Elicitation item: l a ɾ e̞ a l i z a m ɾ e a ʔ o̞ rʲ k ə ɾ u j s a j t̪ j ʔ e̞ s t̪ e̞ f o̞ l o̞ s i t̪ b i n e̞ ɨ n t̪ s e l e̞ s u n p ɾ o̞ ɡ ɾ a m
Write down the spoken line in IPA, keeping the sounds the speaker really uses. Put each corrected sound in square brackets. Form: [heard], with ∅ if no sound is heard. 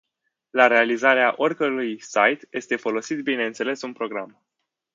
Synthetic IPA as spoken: l a ɾ e̞ a l i z a [∅] ɾ e a ʔ o̞ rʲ k ə ɾ u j s a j t̪ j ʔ e̞ s t̪ e̞ f o̞ l o̞ s i t̪ b i n e̞ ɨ n t̪ s e l e̞ s u n p ɾ o̞ ɡ ɾ a m